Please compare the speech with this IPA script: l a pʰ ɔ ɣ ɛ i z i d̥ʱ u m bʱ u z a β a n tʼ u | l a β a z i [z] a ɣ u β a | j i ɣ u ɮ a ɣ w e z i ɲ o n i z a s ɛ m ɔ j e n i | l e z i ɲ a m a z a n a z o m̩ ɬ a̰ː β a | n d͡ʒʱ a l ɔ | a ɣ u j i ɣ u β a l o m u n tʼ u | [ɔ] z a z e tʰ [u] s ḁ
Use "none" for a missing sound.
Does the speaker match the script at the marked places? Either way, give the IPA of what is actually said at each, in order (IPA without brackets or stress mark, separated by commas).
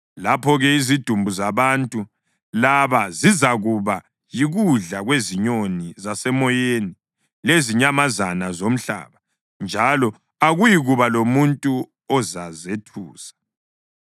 z, ɔ, uː